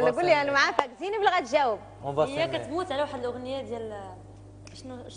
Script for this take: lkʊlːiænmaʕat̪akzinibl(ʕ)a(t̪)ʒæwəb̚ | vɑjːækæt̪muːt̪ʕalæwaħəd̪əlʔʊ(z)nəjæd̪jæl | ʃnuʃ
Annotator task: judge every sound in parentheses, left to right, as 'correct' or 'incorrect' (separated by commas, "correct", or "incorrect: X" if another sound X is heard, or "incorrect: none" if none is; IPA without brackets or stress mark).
incorrect: ɣ, correct, incorrect: ɣ